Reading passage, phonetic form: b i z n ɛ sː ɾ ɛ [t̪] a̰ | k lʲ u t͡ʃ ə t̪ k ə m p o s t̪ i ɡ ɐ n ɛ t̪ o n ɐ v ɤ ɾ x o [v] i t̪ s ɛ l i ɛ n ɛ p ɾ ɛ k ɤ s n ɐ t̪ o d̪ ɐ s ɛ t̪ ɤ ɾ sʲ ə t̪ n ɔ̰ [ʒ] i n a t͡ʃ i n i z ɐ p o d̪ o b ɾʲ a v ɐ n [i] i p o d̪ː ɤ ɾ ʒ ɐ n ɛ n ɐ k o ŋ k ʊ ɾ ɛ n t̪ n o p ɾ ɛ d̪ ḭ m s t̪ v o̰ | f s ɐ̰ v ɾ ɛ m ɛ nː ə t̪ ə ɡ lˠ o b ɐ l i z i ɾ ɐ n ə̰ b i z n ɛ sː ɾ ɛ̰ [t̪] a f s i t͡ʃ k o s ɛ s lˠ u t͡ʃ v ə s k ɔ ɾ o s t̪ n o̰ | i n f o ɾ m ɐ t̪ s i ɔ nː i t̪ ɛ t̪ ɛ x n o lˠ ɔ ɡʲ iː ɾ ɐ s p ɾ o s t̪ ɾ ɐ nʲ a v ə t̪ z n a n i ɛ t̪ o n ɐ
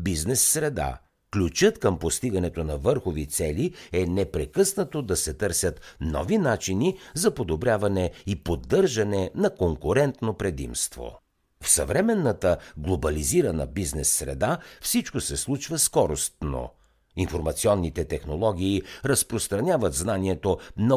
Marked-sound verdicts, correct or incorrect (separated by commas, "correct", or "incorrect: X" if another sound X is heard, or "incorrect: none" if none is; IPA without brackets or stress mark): incorrect: d̪, correct, incorrect: v, incorrect: ɛ, incorrect: d̪